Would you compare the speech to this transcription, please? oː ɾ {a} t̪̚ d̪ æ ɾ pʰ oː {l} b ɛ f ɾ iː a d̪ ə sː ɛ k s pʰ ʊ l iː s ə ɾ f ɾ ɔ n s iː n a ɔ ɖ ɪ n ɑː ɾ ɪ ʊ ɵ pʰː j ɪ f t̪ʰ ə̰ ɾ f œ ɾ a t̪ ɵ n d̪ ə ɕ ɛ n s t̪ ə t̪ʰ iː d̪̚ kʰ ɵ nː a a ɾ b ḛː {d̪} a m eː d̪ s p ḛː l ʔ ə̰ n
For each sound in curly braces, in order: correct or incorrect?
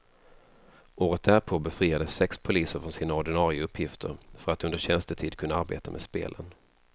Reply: incorrect: ə, incorrect: none, incorrect: t̪

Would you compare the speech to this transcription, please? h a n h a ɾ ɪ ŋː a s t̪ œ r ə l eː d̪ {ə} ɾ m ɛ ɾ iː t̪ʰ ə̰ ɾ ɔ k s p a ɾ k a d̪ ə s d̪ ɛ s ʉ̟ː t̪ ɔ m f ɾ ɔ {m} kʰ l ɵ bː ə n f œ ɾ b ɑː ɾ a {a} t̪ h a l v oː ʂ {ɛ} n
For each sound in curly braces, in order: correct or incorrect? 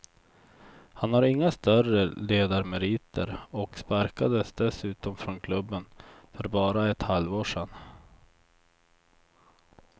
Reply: incorrect: a, incorrect: n, incorrect: ɛ, correct

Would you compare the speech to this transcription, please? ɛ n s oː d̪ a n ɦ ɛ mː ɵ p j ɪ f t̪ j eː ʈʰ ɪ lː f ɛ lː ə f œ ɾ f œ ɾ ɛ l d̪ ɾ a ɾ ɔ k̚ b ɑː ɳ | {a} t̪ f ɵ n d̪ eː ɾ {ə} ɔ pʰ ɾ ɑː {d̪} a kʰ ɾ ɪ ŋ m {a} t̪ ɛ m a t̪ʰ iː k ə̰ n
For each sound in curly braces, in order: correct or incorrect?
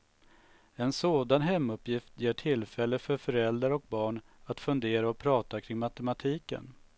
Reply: correct, incorrect: a, incorrect: t̪, correct

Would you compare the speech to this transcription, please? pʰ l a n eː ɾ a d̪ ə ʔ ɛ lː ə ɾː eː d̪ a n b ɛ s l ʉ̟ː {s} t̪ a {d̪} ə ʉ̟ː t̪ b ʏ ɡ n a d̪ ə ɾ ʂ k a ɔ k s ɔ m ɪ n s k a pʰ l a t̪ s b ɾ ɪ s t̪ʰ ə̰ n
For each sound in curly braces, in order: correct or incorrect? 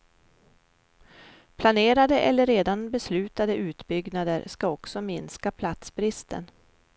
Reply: incorrect: none, correct

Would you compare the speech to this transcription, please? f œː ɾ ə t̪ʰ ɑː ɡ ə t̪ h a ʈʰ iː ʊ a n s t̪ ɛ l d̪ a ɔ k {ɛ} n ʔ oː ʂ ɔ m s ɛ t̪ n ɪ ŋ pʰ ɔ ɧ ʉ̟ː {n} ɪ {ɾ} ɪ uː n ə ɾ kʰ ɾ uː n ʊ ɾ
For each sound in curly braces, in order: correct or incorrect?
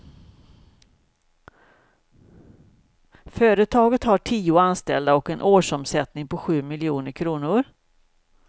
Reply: correct, incorrect: m, incorrect: l

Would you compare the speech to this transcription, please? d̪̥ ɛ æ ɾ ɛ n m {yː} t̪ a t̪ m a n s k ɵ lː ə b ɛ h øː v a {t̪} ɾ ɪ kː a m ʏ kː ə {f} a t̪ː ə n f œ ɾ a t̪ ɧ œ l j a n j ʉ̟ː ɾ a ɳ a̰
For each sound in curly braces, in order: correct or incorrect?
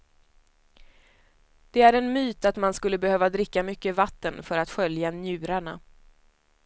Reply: correct, incorrect: d̪, incorrect: v

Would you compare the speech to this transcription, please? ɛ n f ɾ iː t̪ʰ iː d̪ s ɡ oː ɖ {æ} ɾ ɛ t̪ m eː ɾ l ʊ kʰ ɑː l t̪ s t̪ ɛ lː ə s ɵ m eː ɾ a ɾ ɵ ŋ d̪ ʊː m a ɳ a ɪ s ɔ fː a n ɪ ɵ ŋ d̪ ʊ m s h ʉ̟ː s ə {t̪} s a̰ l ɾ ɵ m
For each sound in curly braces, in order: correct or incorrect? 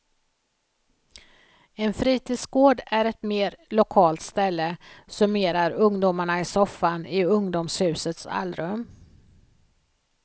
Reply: correct, correct

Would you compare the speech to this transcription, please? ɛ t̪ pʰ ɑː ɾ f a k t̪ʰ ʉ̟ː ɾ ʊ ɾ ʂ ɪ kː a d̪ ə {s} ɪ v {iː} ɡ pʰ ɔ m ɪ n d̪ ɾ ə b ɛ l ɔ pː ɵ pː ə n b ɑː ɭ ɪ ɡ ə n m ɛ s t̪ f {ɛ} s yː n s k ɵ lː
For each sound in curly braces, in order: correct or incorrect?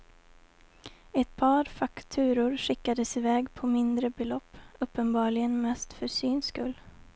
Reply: correct, incorrect: ɛː, incorrect: œ

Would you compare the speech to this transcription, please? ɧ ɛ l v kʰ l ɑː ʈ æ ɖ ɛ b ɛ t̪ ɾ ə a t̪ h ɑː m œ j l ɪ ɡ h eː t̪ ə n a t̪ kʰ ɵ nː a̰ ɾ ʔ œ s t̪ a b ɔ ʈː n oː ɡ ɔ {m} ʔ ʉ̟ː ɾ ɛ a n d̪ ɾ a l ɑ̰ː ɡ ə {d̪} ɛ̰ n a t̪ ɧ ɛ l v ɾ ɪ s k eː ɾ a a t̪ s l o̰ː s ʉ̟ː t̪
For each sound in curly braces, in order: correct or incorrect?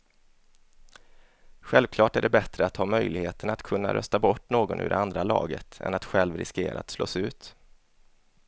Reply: incorrect: n, incorrect: t̪

